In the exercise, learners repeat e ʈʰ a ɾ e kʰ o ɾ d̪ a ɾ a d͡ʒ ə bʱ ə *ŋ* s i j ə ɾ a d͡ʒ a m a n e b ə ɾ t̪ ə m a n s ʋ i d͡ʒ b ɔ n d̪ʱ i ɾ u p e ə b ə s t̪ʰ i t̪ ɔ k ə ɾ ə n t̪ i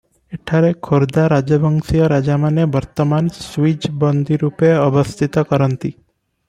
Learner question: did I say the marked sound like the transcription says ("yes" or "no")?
yes